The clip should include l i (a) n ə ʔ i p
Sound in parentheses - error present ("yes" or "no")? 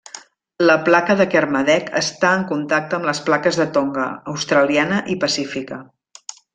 no